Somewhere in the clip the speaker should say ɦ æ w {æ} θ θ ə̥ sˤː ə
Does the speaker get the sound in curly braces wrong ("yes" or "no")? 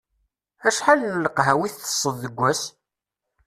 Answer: yes